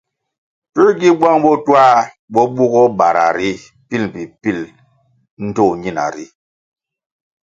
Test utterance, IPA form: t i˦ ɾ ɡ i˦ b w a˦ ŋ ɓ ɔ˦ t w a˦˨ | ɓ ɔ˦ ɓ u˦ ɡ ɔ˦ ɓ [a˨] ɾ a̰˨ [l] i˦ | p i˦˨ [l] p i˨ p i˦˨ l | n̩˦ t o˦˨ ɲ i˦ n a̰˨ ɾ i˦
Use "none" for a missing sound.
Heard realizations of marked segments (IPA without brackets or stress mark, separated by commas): a˨, ɾ, l